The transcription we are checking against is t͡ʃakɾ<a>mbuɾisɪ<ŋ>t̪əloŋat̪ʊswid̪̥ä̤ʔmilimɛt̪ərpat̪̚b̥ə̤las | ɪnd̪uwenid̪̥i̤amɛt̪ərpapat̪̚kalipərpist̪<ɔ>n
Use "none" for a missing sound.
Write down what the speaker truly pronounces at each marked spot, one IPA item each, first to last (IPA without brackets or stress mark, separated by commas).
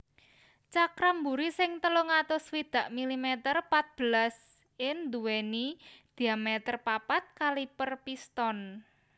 a, ŋ, ɔ